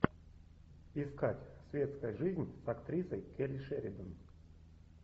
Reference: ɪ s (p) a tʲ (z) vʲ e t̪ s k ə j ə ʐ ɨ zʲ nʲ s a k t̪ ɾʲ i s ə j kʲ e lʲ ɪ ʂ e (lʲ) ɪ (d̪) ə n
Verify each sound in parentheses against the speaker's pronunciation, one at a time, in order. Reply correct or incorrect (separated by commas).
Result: incorrect, incorrect, incorrect, correct